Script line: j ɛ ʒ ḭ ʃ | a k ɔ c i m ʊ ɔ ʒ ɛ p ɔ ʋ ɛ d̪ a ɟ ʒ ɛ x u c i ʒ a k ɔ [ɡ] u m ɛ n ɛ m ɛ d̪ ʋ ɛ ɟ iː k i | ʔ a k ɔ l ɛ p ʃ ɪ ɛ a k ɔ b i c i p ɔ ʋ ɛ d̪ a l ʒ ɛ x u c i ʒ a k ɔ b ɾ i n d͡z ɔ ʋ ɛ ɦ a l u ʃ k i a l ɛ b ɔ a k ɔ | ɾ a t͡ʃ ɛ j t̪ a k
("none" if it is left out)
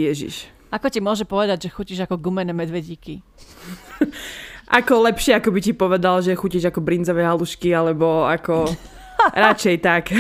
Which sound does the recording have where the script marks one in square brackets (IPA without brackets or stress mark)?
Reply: ɡ